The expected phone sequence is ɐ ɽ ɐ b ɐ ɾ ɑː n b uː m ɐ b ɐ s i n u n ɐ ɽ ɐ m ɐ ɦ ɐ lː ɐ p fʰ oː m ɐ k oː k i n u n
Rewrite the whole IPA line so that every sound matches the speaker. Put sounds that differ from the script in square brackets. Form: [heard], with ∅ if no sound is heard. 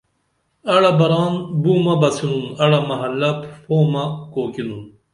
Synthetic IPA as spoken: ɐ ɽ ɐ b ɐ ɾ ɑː n b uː m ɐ b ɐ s i n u n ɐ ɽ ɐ m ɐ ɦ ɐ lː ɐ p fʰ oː m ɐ k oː k i n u n